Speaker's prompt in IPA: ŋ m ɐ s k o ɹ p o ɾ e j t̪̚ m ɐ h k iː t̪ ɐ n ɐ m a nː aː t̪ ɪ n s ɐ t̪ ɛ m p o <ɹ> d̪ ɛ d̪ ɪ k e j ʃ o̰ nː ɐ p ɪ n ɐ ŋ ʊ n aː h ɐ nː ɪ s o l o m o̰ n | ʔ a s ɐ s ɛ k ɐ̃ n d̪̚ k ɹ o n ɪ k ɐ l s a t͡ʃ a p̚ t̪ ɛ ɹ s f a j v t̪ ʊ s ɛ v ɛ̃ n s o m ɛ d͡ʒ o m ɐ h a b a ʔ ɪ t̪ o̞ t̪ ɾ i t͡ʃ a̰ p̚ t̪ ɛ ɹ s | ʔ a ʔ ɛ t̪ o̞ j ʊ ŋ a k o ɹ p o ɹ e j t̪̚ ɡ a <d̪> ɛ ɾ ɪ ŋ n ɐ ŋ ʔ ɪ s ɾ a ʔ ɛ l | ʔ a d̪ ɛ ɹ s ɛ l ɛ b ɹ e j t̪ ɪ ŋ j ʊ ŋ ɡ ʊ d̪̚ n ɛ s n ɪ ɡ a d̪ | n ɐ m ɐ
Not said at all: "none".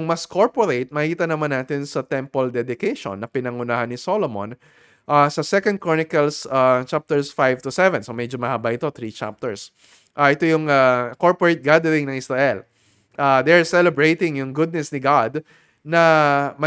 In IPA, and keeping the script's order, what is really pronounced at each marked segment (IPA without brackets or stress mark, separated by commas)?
l, d̪